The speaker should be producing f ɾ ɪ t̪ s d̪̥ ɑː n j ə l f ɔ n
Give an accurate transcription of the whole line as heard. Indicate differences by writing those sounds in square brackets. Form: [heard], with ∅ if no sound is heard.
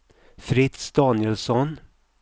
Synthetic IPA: f ɾ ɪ t̪ s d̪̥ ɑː n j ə l [s] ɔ n